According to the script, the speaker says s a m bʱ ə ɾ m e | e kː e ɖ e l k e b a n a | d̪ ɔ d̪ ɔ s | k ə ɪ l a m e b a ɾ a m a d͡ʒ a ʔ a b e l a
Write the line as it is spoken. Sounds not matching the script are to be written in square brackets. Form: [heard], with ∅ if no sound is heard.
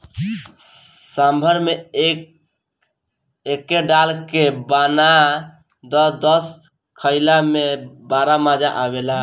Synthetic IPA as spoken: s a m bʱ ə ɾ m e | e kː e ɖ [a] l k e b a n a | d̪ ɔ d̪ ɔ s | [kʰ] ə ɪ l a m e b a ɾ a m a d͡ʒ a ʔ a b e l a